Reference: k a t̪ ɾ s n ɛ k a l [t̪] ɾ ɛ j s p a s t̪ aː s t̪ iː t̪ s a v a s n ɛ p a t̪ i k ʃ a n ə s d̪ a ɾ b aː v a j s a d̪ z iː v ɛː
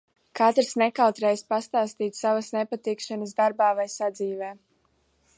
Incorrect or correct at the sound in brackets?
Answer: correct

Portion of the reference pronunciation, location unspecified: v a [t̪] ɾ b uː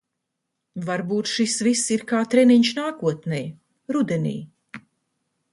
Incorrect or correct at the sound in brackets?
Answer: incorrect: none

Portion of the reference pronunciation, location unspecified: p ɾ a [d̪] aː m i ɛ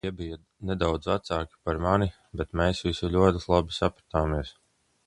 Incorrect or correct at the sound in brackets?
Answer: incorrect: t̪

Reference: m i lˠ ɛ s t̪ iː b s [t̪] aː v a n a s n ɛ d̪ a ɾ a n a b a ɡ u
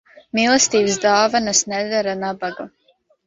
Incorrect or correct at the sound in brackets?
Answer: incorrect: d̪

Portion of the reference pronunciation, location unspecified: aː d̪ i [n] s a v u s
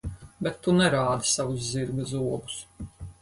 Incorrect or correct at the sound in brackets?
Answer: incorrect: none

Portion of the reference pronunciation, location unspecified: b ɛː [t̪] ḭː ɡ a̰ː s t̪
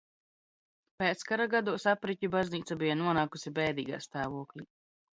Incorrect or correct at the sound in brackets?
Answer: incorrect: d̪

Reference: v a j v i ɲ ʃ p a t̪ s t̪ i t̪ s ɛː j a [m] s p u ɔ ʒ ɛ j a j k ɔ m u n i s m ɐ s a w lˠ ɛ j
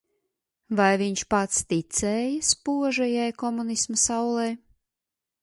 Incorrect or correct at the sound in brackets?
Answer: incorrect: none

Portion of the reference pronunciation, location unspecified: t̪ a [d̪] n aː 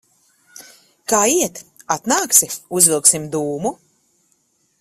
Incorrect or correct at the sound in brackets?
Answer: incorrect: t̪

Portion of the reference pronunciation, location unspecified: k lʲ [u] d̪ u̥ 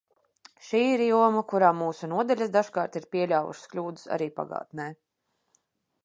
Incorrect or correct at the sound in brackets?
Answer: incorrect: uː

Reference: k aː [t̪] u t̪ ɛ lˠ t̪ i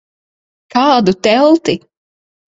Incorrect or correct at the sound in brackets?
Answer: incorrect: d̪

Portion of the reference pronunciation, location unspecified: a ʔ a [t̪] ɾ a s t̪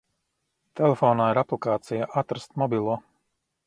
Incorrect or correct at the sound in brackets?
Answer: correct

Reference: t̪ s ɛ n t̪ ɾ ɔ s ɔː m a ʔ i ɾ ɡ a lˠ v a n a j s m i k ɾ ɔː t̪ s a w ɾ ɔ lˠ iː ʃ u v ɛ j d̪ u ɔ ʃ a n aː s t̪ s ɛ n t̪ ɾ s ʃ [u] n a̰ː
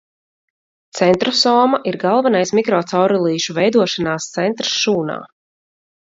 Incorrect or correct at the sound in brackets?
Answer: incorrect: uː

